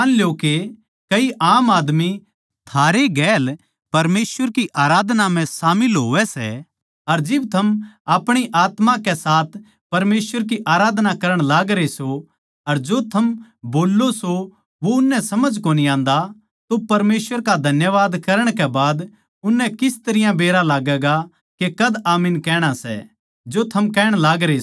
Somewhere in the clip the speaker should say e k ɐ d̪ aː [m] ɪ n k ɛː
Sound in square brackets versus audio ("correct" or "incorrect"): correct